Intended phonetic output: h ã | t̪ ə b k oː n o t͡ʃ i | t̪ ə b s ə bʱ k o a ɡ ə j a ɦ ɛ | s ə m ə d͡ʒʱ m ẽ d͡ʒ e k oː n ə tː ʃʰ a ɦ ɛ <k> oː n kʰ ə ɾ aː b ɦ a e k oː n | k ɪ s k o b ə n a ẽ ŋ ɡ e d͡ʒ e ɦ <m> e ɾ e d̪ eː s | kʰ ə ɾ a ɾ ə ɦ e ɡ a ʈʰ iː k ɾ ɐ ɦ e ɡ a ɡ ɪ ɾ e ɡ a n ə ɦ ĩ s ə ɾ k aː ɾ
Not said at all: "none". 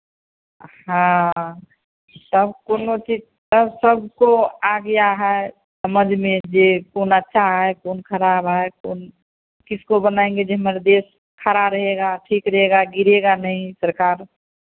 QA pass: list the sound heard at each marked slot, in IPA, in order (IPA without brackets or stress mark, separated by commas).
k, m